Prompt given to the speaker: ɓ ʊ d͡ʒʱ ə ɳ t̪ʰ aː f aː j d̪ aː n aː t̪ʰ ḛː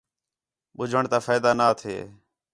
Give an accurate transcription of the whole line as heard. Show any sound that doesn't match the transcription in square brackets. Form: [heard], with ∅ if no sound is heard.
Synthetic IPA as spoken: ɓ ʊ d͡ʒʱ ə ɳ [t̪] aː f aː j d̪ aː n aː t̪ʰ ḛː